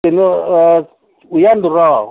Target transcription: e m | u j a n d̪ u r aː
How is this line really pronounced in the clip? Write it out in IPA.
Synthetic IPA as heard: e n | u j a n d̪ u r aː